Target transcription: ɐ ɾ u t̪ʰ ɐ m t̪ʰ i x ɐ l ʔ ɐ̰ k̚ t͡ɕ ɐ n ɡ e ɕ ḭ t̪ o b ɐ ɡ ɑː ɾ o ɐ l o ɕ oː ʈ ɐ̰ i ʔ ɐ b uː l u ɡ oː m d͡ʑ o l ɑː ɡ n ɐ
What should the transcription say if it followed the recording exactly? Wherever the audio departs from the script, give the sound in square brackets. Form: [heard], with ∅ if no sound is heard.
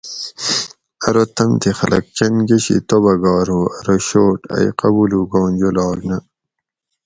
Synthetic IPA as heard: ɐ ɾ [o] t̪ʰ ɐ m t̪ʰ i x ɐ l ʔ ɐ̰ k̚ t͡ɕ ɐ n ɡ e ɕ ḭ t̪ o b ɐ ɡ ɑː ɾ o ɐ [ɾ] o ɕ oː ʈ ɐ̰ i [q] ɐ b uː l u ɡ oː [n] d͡ʑ o l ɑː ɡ n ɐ